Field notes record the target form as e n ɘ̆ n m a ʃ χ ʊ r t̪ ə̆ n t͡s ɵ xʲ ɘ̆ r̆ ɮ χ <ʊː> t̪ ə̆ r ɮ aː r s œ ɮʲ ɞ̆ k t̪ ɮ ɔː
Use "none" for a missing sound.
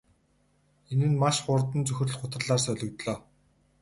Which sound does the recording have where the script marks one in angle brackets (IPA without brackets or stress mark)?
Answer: ʊ